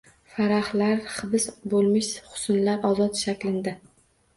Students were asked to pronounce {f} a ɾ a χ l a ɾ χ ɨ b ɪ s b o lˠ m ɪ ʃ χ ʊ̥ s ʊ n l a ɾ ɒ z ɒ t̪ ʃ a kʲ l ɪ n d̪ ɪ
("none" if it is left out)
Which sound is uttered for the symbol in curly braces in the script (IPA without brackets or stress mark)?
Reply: f